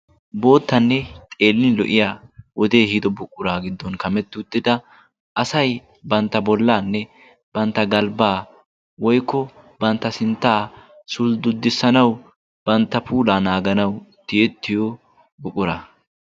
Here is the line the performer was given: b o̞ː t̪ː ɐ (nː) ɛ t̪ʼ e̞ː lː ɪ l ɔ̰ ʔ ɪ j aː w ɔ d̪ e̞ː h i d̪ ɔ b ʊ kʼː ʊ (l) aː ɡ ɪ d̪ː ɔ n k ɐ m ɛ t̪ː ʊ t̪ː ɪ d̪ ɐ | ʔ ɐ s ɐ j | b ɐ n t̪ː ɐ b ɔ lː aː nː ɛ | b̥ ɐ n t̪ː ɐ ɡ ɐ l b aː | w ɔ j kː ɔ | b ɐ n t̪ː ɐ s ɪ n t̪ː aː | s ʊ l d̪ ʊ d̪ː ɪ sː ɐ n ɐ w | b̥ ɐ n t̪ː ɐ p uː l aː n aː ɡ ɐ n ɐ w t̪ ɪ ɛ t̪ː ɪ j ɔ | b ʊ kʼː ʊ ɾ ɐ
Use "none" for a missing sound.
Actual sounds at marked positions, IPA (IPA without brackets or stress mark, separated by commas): nː, ɾ